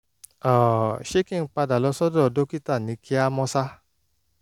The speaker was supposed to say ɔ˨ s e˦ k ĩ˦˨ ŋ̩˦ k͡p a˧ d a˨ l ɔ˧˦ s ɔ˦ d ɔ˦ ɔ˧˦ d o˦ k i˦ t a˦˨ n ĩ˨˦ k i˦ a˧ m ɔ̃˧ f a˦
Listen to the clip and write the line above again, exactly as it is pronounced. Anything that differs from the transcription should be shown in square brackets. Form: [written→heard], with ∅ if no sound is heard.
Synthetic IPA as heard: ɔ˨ [s→ʃ] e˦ k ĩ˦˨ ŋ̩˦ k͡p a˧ d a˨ l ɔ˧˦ s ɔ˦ d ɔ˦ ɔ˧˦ d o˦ k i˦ t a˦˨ n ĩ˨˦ k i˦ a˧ m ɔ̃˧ [f→s] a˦